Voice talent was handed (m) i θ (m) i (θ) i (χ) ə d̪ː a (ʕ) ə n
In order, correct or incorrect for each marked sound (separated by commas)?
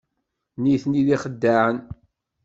incorrect, incorrect, incorrect, correct, correct